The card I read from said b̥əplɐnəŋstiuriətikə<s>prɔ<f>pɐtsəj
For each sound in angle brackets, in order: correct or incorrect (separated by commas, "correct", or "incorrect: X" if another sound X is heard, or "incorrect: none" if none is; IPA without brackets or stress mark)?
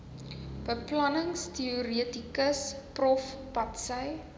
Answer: correct, correct